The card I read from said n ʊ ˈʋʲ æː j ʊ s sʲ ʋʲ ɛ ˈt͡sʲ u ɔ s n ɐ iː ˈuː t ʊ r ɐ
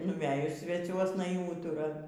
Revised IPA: n ʊ ˈʋʲ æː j ʊ s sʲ ʋʲ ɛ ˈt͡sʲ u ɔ s n ɐ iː ˈuː t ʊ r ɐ